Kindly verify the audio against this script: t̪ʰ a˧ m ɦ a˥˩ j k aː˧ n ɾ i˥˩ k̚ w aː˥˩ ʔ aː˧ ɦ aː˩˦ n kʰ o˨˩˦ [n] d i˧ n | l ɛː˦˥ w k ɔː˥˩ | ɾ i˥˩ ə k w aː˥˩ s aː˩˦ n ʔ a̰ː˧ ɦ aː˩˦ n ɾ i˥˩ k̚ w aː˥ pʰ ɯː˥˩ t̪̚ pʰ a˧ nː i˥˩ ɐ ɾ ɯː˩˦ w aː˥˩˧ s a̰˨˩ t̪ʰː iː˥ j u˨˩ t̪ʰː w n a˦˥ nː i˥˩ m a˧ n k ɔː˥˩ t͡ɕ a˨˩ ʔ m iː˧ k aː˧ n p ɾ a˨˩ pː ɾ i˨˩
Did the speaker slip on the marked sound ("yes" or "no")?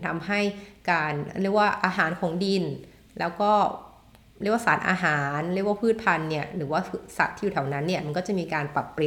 yes